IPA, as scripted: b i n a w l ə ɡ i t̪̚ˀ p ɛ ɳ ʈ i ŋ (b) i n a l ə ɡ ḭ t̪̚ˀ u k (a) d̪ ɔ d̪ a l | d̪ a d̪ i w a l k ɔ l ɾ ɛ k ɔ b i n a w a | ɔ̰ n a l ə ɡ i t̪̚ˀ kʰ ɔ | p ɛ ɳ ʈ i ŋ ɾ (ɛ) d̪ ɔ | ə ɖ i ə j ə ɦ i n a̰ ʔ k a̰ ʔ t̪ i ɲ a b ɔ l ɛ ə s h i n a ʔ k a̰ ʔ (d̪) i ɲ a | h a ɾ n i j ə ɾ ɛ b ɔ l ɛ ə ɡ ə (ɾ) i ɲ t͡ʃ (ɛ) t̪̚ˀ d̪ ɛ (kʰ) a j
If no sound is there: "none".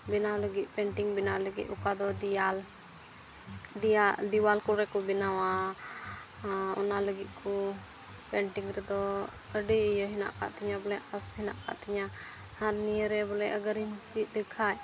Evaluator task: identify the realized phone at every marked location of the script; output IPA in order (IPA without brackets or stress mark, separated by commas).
b, a, ɛ, t̪, ɾ, i, kʰ